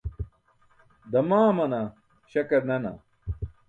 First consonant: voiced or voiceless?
voiced